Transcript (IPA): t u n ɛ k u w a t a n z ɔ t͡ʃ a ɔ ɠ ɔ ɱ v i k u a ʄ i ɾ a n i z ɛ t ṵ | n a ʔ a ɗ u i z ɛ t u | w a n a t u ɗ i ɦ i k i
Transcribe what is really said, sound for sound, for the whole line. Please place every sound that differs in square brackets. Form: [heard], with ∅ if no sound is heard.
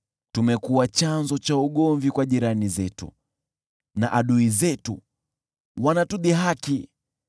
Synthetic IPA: t u [m] ɛ k u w a [t͡ʃ] a n z ɔ t͡ʃ a [u] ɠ ɔ ɱ v i k [w] a ʄ i ɾ a n i z ɛ t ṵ | n a ʔ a ɗ u i z ɛ t u | w a n a t u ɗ i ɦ [a] k i